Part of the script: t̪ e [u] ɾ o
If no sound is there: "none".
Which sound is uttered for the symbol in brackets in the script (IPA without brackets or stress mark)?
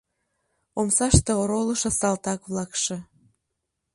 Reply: o